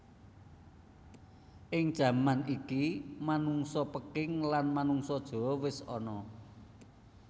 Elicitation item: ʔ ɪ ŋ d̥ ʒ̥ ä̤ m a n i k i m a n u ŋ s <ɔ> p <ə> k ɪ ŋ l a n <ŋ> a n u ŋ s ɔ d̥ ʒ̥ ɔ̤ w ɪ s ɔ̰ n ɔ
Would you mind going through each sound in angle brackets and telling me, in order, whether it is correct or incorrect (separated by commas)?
correct, correct, incorrect